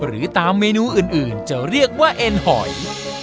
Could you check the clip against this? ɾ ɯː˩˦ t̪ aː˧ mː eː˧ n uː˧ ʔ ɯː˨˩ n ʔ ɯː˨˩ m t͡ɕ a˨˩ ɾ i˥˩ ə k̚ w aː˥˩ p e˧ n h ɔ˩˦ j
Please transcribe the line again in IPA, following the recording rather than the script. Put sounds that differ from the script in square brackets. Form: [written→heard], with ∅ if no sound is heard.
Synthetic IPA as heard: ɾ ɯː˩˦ t̪ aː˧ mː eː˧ n uː˧ ʔ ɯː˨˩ n ʔ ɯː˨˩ [m→n] t͡ɕ a˨˩ ɾ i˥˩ ə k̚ w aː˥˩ [p→ʔ] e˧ n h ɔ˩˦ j